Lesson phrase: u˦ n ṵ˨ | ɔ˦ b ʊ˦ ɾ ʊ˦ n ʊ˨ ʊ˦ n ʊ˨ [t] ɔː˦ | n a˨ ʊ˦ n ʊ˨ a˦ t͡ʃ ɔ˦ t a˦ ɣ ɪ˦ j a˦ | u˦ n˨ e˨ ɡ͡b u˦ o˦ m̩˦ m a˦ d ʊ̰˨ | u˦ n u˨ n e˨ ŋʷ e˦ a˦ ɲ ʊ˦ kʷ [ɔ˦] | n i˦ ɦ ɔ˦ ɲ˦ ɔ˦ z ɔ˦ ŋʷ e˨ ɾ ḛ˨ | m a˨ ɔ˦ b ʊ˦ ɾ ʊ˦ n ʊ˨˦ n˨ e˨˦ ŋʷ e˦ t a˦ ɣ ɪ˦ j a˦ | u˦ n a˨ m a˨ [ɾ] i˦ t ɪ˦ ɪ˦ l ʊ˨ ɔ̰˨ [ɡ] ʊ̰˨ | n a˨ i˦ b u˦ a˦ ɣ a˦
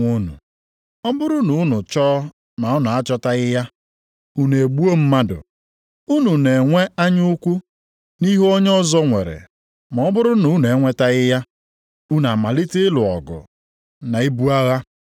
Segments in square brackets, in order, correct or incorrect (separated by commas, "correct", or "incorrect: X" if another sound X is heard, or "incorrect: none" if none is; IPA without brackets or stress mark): incorrect: t͡ʃ, incorrect: u˦, incorrect: l, correct